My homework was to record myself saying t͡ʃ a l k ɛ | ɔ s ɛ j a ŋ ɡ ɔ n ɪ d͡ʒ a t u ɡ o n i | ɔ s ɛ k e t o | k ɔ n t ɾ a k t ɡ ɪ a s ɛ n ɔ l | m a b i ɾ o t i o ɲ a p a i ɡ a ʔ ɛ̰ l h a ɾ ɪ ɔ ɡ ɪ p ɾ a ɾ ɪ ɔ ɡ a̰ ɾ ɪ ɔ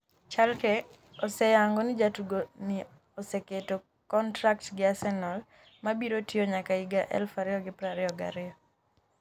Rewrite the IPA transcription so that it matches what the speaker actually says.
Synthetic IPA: t͡ʃ a l k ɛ | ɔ s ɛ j a ŋ ɡ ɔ n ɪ d͡ʒ a t u ɡ o n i | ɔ s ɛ k e t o | k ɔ n t ɾ a k t ɡ ɪ a s ɛ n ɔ l | m a b i ɾ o t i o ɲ a k a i ɡ a ʔ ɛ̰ l f a ɾ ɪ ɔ ɡ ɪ p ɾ a ɾ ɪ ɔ ɡ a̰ ɾ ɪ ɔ